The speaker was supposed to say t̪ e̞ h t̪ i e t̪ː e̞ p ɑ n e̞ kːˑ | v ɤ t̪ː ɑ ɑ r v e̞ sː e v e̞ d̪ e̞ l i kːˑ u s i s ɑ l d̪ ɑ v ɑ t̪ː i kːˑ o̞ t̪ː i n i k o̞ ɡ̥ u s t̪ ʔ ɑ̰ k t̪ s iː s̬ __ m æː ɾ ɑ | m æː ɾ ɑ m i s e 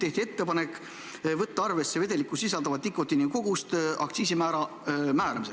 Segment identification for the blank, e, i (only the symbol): i